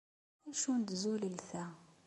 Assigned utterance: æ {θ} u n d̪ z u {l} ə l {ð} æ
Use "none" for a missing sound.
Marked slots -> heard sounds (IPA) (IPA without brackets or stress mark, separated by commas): ʃ, l, θ